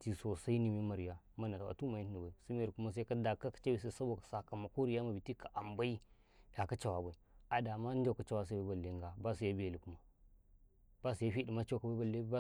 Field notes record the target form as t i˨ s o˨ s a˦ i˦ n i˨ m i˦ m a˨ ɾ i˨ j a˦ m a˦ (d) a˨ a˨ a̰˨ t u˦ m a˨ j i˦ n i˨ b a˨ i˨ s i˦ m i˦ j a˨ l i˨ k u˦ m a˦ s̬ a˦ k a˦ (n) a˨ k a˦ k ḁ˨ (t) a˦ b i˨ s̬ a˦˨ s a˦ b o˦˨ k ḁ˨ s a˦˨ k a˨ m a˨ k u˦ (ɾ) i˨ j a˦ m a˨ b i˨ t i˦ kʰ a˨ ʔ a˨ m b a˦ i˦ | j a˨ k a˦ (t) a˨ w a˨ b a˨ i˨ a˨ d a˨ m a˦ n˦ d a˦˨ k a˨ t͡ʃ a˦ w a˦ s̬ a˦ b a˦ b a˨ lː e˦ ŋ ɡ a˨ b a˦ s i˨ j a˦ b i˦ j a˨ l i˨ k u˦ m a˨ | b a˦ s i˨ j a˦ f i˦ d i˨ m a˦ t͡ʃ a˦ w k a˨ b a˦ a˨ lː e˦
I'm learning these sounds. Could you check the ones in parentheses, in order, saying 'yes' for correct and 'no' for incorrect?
no, no, no, yes, no

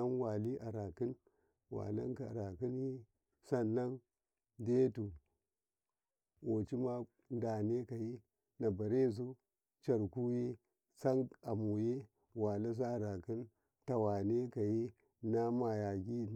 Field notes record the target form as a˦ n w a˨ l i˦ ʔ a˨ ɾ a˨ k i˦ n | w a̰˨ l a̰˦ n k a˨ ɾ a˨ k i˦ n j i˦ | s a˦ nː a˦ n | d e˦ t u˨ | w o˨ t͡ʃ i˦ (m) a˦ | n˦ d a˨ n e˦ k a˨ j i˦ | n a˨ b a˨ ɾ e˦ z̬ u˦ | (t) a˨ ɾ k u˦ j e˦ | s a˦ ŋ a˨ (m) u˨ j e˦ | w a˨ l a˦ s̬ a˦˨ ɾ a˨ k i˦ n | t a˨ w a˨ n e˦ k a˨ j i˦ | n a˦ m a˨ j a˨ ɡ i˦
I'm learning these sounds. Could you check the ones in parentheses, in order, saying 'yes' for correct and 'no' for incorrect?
yes, no, yes

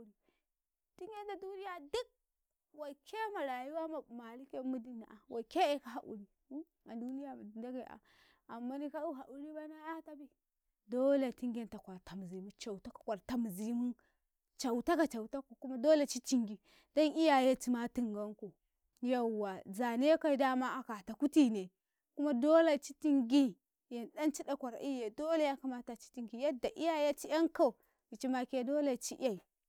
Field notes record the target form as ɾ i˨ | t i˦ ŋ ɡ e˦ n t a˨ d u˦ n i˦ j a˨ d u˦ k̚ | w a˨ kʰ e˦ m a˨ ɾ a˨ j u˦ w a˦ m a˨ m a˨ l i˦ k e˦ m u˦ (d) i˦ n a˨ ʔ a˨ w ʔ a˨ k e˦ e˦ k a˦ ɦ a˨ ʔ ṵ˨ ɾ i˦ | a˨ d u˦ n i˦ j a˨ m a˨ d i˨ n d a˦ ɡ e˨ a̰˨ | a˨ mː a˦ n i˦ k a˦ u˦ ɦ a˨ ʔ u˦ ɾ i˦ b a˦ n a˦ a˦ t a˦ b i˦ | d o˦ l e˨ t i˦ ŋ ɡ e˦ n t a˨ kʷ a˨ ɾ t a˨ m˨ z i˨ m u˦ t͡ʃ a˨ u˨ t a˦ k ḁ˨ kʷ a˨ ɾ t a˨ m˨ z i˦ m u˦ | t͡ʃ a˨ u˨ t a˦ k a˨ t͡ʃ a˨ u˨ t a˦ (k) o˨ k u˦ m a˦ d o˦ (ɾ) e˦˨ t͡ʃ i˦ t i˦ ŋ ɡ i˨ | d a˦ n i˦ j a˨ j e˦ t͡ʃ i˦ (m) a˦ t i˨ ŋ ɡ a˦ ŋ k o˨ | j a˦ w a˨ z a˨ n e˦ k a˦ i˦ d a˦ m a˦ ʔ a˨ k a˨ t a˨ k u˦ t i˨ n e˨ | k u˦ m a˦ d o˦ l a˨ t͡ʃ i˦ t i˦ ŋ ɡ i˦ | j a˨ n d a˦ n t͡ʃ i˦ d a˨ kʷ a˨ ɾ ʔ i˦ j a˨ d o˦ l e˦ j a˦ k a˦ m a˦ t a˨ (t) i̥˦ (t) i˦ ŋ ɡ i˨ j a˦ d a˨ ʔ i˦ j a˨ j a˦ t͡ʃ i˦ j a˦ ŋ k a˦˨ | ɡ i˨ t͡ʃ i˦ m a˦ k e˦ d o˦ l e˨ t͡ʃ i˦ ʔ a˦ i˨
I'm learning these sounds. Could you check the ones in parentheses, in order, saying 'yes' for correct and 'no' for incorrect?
yes, yes, no, yes, no, yes

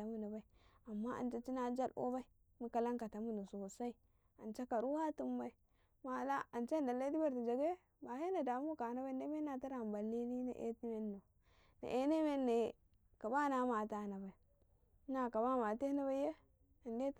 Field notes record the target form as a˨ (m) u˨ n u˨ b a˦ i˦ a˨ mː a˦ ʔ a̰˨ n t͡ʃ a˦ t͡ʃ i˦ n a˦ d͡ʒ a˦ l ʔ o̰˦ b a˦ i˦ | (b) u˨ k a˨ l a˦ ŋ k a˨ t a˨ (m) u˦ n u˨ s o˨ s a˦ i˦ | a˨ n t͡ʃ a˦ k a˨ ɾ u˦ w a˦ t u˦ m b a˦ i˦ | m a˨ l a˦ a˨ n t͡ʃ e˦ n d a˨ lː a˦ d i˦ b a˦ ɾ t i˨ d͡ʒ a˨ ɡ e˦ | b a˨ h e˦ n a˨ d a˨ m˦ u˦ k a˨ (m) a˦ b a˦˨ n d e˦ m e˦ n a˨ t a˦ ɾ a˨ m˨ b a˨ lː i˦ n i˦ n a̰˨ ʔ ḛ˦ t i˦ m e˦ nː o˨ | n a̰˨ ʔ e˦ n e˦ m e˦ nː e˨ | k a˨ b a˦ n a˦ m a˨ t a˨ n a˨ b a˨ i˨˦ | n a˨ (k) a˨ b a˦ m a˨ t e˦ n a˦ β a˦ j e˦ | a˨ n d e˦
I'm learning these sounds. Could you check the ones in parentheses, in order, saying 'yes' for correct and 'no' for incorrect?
yes, no, yes, no, yes

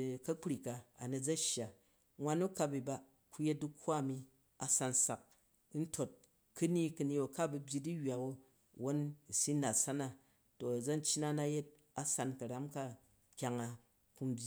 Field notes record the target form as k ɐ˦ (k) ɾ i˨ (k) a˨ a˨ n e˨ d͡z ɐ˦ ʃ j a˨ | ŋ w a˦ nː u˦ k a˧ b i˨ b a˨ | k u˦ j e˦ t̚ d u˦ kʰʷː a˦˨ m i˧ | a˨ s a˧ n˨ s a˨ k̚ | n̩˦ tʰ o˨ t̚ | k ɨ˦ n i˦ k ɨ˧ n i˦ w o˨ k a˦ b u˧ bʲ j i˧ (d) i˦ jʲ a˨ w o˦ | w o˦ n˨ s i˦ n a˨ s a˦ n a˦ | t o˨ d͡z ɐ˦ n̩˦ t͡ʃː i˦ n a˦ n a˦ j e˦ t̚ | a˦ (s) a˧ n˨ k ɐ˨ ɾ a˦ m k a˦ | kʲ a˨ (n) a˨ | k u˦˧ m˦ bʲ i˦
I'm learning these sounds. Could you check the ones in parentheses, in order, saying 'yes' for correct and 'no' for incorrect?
no, yes, yes, yes, no

